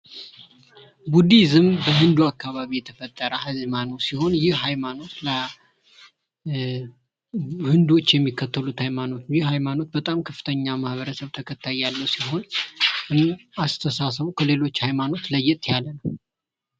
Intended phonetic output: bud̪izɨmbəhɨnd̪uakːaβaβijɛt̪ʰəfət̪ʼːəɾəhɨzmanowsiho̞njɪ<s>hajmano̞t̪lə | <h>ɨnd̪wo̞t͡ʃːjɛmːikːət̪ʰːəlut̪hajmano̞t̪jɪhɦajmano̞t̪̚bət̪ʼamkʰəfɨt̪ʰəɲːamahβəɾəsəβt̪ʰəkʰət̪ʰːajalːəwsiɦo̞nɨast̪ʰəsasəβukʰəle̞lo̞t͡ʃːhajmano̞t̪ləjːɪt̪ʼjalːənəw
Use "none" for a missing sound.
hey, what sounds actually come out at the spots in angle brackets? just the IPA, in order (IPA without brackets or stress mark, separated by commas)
h, h